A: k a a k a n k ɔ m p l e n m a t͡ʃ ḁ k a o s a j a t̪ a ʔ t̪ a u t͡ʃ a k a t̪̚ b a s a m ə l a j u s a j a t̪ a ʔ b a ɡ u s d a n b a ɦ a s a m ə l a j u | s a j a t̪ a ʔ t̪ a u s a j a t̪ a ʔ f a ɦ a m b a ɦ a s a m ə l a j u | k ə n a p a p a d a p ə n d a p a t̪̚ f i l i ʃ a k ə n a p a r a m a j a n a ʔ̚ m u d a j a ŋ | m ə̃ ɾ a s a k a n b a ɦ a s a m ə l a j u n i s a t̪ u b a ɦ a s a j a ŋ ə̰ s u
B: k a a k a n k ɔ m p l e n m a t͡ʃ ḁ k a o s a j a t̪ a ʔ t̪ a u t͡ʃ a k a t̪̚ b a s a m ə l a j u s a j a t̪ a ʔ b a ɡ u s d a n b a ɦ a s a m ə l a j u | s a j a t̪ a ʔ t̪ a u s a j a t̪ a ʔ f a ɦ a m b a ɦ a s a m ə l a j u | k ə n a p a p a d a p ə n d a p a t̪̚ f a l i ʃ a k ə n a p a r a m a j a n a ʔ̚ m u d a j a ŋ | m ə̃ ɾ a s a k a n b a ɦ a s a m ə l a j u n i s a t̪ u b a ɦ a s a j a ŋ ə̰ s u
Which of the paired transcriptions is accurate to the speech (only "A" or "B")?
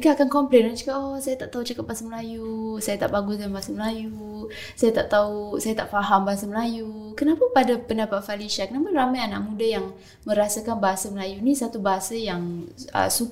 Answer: B